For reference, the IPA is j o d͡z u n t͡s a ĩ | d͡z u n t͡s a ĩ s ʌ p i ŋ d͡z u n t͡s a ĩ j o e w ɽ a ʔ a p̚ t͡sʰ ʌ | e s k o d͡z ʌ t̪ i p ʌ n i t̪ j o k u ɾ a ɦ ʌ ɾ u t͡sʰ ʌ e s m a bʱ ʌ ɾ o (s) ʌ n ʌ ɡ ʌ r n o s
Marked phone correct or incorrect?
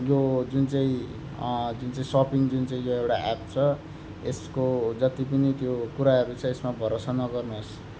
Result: correct